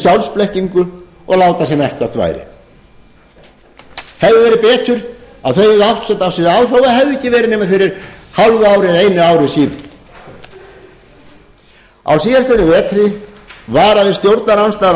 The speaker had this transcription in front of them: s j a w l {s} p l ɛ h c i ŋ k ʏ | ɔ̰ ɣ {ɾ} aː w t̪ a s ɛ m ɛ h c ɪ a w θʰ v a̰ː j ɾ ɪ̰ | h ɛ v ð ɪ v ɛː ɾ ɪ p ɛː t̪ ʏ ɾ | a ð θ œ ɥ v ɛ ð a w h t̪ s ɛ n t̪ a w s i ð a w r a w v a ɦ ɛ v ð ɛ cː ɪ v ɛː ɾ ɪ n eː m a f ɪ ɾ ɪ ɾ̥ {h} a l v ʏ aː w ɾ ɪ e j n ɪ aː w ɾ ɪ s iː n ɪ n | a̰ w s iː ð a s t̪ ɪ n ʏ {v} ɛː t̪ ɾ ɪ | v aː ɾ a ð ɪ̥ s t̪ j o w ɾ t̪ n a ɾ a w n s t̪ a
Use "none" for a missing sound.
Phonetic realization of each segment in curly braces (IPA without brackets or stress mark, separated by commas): s, l, h, v